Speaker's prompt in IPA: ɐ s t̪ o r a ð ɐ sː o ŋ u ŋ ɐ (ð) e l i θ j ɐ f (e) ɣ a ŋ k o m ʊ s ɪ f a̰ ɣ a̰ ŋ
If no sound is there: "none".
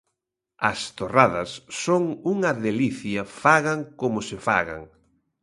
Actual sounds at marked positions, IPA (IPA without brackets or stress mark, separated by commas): ð, a